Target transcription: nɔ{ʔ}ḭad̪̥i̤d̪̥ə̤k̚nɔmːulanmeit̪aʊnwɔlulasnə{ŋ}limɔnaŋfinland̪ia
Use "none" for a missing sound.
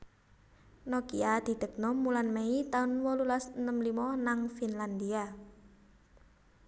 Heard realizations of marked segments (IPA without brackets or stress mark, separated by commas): k, m